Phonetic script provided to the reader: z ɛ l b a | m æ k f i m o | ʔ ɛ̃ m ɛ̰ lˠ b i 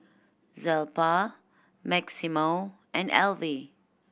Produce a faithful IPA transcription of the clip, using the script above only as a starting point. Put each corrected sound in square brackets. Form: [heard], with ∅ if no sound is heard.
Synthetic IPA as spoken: z ɛ l [p] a | m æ k [s] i m o | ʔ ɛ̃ [n] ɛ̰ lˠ [v] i